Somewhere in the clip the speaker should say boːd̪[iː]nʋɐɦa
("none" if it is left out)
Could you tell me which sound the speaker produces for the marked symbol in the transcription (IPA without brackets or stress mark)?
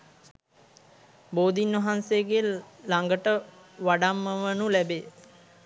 i